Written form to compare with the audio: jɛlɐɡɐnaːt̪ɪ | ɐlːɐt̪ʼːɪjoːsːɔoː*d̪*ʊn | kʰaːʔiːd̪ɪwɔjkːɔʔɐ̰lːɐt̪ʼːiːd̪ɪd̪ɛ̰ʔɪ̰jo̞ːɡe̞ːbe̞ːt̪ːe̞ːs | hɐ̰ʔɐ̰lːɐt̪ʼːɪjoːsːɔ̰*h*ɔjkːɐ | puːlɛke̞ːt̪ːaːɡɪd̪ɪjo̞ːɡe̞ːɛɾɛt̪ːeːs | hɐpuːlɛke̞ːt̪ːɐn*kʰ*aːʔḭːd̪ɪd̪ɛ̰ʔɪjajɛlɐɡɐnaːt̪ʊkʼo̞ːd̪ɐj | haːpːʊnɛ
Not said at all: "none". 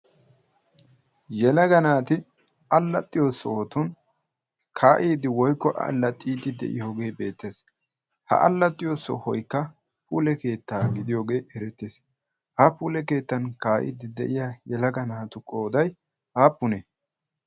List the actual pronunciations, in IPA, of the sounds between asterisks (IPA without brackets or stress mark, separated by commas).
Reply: t̪, h, k